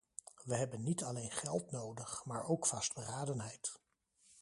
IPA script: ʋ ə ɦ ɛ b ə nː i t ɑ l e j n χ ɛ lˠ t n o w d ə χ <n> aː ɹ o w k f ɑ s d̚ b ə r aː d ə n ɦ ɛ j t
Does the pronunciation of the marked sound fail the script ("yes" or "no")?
yes